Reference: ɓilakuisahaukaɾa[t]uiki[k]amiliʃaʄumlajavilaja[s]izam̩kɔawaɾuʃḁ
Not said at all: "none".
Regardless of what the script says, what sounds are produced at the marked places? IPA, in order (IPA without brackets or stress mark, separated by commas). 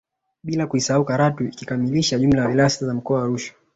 t, k, s